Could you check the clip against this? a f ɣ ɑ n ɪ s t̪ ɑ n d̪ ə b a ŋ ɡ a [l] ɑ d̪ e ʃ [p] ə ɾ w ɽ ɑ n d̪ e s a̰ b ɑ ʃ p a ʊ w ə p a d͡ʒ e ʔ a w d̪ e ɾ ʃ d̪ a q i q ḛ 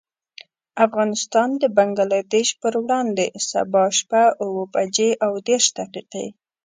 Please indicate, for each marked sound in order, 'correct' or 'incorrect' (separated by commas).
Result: correct, correct